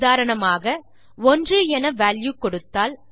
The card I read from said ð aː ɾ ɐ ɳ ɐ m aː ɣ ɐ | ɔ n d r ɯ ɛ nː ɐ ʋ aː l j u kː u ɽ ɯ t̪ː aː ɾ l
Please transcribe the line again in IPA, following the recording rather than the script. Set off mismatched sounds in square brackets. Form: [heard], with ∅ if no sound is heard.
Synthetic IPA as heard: ð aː ɾ ɐ ɳ ɐ m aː ɣ ɐ | ɔ n d r ɯ ɛ [n] ɐ ʋ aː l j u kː [ɔ] ɽ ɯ t̪ː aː [∅] l